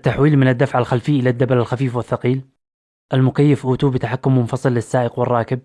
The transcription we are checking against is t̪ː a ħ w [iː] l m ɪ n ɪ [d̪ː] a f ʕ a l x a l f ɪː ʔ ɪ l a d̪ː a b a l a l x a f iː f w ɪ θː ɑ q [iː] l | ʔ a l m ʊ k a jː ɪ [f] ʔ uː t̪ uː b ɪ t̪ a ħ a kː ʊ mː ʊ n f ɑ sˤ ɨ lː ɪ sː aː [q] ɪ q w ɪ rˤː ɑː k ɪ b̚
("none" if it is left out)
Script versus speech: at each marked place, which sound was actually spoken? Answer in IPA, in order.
iː, d̪ː, iː, f, ʔ

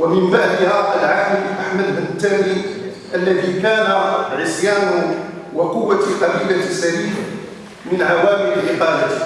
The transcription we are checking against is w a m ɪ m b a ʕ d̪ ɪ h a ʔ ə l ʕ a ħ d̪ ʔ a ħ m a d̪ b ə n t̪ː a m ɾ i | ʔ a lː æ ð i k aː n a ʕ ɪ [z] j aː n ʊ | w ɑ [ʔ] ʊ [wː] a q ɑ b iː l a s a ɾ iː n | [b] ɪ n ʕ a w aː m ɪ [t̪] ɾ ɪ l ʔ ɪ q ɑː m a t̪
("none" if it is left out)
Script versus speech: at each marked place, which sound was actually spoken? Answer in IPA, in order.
s, q, wː, m, none

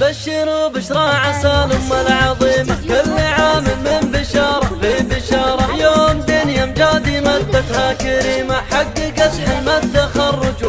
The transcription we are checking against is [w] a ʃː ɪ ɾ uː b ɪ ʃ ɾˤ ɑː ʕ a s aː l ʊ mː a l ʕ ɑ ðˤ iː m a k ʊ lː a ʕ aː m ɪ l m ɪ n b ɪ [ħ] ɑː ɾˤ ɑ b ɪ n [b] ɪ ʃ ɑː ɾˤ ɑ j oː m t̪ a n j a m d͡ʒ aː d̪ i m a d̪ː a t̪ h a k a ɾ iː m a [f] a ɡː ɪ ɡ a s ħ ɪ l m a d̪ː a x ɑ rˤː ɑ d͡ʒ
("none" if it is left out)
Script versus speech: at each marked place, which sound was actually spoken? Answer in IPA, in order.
b, ʃ, b, ħ

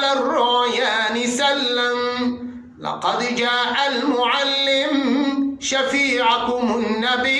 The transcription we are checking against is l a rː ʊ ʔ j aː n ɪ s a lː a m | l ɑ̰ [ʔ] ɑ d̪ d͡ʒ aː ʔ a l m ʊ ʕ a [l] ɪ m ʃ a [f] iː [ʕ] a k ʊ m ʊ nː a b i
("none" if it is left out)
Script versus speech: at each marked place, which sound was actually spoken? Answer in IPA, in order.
q, lː, f, ʕ

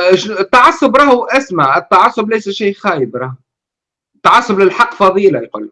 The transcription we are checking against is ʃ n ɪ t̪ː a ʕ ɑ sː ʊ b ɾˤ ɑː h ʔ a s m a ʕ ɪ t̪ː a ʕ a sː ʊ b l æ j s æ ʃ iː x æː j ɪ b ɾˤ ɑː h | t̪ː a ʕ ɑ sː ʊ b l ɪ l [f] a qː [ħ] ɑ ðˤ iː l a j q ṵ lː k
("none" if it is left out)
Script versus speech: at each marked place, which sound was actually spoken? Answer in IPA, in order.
ħ, f

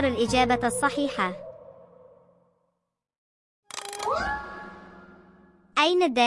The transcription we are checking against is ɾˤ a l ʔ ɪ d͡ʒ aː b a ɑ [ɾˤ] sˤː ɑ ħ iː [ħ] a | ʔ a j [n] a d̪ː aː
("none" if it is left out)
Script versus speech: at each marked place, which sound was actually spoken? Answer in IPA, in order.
none, ħ, n

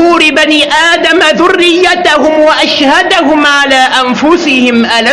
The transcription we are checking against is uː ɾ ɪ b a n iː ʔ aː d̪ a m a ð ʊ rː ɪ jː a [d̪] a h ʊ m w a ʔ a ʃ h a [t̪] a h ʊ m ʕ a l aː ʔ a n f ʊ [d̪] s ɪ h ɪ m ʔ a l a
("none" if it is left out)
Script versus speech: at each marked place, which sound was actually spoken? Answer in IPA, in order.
t̪, d̪, none

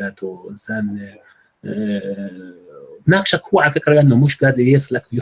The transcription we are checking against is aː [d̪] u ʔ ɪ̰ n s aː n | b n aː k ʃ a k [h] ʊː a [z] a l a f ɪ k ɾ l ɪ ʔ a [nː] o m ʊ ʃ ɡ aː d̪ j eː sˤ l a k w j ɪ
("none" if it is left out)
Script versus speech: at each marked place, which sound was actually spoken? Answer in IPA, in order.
t̪, h, ʕ, nː

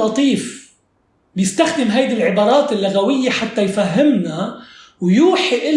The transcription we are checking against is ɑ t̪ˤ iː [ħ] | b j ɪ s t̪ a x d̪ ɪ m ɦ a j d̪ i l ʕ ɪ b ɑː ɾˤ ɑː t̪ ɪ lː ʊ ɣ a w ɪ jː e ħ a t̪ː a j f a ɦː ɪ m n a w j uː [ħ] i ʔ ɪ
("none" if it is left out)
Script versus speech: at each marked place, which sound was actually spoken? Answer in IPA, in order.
f, ħ

